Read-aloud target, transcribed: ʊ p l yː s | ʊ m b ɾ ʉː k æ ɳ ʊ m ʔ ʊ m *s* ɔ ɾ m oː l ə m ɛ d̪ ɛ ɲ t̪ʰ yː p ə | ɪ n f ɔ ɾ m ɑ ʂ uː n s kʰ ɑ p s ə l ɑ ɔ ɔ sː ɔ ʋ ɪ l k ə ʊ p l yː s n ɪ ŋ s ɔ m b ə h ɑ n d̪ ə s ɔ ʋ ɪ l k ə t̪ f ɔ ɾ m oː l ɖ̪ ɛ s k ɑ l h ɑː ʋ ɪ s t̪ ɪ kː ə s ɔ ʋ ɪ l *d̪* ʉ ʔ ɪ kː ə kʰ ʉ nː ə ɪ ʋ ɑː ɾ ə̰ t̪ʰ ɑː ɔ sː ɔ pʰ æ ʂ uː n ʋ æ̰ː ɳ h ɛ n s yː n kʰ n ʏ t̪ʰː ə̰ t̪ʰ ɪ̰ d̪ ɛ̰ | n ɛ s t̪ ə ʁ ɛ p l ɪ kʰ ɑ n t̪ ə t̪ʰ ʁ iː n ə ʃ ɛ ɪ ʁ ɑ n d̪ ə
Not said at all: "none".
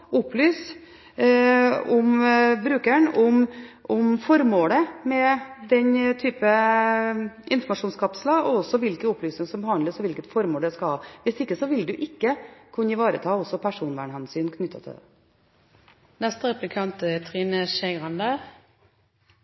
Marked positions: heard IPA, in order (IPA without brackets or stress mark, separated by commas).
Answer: f, d̪